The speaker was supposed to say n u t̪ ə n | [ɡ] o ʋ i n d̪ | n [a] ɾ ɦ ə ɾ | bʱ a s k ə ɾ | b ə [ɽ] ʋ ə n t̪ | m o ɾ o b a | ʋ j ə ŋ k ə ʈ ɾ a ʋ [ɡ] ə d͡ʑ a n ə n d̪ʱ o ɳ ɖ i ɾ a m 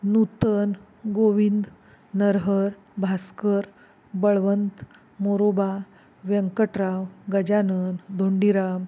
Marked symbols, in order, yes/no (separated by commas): yes, no, no, yes